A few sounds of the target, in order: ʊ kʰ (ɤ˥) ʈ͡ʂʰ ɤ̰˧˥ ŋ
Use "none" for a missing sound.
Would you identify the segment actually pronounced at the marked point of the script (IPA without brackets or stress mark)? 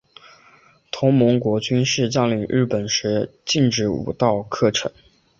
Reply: ɤ˥˩